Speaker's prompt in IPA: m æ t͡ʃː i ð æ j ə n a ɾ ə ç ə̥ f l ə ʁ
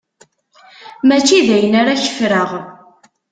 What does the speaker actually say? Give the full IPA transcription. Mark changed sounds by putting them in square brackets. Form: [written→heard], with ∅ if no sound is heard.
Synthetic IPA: m æ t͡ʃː i ð æ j ə n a ɾ [ə→a] ç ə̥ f [l→ɾ] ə ʁ